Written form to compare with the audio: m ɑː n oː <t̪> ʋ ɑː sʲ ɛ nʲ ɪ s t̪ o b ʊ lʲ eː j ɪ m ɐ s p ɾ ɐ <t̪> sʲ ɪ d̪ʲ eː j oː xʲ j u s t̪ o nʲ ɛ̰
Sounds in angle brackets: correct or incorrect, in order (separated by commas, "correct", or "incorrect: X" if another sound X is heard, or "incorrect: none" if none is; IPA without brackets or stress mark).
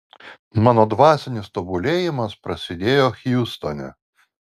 incorrect: d̪, incorrect: none